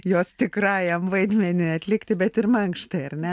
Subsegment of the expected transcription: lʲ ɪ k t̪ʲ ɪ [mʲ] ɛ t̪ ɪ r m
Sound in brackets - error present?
yes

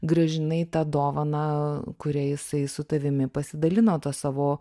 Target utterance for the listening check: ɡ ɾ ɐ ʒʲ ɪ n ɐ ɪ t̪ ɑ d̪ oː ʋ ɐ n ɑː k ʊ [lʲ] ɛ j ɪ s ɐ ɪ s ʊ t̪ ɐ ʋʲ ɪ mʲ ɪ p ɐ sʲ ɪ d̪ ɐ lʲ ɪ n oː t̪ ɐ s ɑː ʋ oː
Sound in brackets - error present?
yes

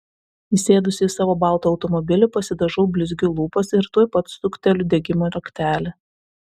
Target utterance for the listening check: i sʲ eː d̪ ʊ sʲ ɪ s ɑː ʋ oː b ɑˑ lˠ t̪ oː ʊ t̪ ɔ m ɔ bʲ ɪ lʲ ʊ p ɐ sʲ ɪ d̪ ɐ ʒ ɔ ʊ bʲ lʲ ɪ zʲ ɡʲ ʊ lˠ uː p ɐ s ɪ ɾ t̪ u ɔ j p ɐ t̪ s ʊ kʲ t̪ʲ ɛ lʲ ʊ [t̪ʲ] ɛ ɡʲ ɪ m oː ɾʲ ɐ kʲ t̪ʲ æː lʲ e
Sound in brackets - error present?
yes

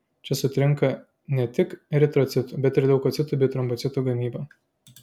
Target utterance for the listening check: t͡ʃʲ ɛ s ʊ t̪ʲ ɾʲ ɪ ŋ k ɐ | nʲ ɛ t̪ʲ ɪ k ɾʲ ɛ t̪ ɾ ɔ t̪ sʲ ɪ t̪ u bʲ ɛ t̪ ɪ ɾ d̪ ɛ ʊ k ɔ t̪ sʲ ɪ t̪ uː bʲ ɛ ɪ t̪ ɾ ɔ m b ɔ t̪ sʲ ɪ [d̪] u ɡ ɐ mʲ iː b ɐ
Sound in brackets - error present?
yes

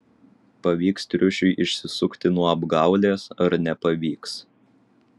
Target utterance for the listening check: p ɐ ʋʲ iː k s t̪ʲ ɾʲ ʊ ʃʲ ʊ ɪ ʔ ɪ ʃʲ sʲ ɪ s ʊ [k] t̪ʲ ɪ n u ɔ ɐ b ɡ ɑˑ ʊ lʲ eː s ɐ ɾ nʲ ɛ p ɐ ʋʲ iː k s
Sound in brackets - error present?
no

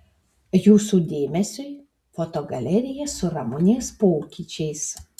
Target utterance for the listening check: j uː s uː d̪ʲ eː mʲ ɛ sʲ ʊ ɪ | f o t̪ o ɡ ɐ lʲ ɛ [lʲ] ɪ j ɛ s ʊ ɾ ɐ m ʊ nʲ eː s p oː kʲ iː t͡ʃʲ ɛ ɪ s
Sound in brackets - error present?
yes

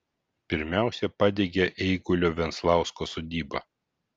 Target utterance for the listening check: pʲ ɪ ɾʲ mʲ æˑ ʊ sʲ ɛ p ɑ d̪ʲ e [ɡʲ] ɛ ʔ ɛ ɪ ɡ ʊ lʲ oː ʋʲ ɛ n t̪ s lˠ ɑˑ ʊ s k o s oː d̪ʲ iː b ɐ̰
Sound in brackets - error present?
no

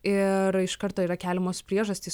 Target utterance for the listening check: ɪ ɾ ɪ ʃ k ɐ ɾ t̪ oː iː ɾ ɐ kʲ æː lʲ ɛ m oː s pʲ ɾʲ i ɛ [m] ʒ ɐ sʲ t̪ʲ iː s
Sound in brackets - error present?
yes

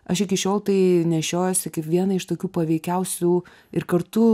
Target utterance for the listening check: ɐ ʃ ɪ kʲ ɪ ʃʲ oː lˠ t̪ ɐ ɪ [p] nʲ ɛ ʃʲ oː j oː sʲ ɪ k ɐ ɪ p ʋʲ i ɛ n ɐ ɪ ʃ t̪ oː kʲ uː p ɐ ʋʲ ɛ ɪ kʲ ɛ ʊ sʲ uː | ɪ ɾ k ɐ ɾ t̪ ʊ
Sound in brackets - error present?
yes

